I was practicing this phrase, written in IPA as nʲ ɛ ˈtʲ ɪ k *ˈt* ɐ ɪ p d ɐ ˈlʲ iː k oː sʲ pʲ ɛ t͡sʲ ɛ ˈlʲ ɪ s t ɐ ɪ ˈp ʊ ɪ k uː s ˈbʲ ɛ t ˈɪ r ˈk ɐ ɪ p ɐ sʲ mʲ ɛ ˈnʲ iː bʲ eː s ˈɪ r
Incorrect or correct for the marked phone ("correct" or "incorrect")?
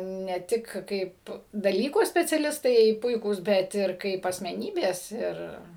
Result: incorrect